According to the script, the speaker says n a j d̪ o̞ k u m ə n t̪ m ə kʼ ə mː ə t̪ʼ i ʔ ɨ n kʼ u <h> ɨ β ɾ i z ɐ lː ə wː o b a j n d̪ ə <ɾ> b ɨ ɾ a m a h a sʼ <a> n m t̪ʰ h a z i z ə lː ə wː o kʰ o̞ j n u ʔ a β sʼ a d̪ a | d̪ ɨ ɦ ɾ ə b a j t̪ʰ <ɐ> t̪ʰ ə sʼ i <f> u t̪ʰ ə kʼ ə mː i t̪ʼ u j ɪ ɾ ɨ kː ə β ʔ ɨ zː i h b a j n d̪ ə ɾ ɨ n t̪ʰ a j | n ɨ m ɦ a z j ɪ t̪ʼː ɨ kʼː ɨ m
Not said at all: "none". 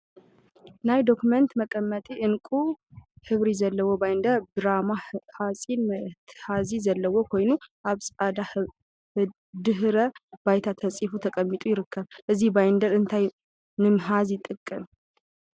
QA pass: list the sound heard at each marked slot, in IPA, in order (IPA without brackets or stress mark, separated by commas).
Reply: h, ɾ, i, a, f